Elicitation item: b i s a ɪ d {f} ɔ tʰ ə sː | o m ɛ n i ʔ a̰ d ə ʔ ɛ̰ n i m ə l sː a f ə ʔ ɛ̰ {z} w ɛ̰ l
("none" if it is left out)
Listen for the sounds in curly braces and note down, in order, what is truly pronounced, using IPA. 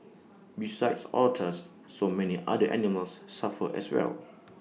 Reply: s, s

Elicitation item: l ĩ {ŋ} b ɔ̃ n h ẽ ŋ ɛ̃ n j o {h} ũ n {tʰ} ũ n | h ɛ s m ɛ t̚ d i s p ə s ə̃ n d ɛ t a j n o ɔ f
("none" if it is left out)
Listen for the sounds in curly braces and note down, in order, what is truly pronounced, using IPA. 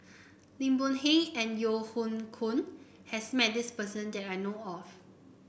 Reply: m, h, kʰ

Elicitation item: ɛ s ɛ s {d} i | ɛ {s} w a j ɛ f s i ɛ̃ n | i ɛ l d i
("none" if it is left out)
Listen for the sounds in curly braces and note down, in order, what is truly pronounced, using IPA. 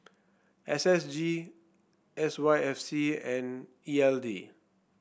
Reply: d͡ʒ, s

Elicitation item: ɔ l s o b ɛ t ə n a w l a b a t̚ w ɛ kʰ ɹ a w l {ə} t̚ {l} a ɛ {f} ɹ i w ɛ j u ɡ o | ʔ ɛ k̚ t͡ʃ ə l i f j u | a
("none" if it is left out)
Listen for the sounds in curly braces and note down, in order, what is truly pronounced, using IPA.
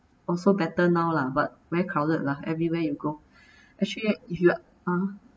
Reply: ə, l, v

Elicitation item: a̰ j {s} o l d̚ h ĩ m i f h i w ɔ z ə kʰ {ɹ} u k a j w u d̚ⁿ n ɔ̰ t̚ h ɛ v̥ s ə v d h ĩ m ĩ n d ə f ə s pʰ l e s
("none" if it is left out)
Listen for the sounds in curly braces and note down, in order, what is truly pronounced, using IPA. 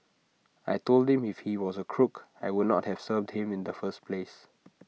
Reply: t, ɹ

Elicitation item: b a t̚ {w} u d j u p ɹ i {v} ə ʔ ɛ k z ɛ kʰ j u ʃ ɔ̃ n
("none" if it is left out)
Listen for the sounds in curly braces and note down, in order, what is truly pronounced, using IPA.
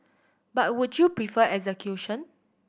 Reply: w, f

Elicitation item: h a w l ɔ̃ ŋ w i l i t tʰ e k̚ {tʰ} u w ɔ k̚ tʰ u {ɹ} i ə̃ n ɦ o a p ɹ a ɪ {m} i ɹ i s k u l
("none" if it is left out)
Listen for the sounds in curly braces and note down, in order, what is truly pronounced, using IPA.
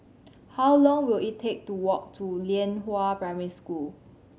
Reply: t, l, m

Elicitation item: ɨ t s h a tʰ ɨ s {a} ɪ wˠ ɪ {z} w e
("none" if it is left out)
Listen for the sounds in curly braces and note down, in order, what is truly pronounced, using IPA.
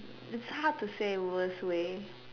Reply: e, s

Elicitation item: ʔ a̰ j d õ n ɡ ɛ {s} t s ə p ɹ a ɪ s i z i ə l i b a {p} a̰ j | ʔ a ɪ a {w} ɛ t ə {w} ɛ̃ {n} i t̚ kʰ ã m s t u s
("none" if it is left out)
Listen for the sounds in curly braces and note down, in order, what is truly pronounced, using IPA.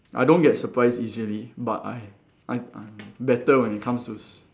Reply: none, t, b, w, n

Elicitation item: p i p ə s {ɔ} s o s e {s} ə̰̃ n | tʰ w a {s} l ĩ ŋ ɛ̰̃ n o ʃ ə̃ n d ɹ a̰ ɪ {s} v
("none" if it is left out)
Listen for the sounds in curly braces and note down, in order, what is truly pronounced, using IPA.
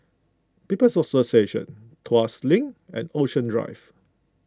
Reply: ɔ, ʃ, s, none

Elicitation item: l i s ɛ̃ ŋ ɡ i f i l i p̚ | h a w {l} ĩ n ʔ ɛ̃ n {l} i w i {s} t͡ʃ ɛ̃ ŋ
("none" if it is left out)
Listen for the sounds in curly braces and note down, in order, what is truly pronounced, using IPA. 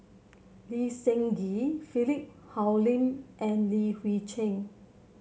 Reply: l, l, none

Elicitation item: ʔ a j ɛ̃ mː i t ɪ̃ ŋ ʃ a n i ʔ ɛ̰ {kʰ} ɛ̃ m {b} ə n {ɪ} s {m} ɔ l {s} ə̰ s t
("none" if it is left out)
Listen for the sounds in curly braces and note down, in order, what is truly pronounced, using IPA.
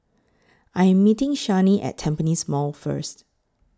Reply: tʰ, p, i, m, f

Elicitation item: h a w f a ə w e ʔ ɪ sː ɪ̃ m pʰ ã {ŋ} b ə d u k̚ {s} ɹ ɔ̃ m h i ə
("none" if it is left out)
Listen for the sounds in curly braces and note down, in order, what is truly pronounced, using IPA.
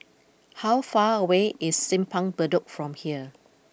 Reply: ŋ, f

